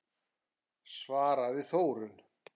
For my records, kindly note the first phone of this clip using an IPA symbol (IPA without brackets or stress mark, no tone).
s